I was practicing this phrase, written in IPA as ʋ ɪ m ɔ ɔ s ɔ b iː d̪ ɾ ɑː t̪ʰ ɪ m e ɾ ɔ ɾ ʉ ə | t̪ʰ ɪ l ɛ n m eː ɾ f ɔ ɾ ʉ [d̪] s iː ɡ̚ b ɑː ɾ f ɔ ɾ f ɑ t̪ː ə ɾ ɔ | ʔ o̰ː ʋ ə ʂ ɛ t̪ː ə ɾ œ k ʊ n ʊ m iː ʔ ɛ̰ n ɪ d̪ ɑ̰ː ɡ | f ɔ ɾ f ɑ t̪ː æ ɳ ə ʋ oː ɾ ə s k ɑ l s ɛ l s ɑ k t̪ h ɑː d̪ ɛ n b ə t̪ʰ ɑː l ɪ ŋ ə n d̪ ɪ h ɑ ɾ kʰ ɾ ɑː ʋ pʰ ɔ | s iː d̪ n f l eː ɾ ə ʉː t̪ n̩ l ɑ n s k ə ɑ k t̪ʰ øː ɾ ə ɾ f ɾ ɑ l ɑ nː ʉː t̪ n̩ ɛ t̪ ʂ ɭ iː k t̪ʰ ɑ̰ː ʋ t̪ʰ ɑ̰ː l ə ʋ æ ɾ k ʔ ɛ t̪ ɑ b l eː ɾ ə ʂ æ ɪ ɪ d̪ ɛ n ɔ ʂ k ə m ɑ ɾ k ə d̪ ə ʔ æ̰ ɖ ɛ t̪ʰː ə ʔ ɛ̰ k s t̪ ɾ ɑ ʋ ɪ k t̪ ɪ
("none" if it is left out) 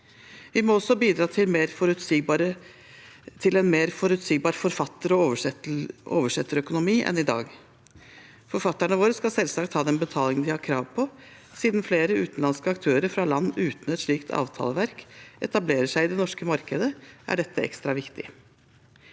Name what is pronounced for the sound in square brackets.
t̪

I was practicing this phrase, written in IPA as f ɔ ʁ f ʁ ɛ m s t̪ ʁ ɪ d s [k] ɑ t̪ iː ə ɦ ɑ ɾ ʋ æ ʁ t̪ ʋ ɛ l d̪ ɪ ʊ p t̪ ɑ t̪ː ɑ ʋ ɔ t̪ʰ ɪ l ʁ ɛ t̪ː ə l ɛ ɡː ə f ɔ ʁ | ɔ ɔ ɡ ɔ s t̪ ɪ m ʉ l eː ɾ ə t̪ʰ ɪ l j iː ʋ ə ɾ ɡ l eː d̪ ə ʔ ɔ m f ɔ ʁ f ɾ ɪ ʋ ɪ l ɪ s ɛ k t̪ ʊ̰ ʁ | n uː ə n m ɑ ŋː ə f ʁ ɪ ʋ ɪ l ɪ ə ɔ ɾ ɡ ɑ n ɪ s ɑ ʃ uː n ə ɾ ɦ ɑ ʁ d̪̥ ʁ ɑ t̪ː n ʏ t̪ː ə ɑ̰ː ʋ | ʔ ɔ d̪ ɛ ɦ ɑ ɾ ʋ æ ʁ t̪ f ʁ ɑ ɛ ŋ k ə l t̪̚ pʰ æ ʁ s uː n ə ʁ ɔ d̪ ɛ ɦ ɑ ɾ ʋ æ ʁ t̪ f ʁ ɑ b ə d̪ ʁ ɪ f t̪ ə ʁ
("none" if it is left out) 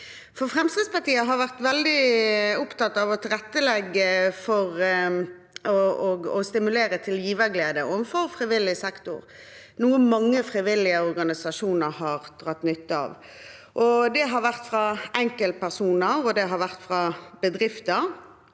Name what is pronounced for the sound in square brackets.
p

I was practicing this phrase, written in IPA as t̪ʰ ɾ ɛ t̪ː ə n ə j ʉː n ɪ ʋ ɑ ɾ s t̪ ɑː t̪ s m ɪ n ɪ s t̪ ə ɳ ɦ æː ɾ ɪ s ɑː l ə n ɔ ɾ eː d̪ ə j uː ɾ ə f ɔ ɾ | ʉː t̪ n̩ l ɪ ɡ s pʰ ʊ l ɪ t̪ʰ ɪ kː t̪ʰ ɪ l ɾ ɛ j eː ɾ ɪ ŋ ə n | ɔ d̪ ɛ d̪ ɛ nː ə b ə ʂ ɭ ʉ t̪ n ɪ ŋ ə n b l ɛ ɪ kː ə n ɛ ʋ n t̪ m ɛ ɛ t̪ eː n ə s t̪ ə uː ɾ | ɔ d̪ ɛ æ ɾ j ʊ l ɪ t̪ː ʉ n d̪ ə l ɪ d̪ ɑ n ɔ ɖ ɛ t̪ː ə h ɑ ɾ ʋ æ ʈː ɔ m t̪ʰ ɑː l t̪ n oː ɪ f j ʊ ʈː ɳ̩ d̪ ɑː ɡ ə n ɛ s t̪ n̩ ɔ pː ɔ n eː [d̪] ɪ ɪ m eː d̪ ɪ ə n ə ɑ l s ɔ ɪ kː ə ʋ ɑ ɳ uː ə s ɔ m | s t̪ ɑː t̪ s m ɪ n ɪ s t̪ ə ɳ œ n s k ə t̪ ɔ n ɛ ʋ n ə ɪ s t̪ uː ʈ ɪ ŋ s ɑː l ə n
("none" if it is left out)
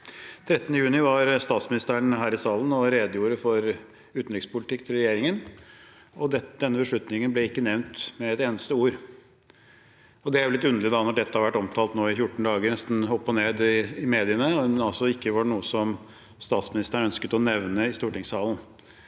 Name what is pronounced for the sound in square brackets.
d̪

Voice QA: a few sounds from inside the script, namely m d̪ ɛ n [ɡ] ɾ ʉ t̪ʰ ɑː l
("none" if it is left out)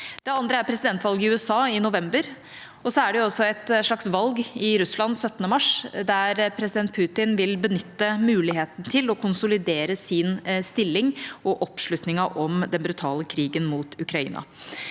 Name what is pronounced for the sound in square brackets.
b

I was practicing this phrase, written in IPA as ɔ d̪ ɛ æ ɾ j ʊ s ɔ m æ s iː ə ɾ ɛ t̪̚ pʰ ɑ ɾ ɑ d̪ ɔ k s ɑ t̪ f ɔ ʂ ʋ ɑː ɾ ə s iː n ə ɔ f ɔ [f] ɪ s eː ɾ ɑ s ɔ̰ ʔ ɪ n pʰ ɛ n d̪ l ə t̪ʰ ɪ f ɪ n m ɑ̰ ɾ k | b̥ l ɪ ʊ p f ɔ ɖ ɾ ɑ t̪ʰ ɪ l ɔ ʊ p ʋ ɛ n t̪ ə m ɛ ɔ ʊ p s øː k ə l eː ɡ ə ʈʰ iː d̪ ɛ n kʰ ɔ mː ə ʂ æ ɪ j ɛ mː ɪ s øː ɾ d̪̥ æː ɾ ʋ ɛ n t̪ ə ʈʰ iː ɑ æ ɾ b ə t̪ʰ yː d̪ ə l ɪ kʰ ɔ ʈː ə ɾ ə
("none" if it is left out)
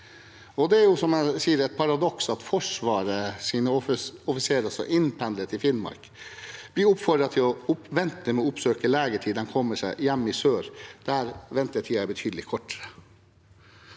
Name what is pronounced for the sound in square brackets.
f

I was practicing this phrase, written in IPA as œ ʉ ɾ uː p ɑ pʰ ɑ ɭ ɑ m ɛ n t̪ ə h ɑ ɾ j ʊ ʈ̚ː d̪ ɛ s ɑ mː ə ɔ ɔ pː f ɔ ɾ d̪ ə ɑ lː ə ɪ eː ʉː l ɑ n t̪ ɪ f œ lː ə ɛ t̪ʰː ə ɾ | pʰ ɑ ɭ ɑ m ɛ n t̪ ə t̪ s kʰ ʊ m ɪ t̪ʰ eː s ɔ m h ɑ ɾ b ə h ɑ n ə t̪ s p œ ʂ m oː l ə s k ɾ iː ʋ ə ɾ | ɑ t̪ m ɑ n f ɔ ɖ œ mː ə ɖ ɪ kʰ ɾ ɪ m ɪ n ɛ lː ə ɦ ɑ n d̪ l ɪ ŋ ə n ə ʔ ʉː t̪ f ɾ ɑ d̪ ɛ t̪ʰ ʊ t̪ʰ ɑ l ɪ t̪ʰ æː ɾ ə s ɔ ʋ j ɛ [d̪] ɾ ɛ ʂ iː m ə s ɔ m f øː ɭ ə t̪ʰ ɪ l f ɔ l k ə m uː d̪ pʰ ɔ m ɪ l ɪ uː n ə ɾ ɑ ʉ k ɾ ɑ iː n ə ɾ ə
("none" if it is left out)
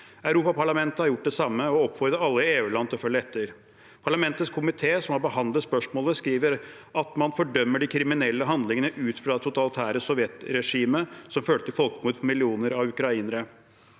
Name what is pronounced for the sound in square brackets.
t̪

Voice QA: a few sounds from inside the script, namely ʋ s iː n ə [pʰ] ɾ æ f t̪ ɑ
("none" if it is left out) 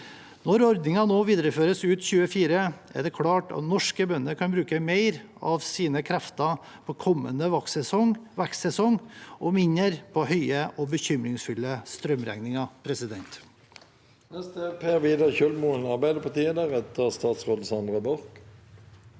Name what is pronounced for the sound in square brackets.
kʰ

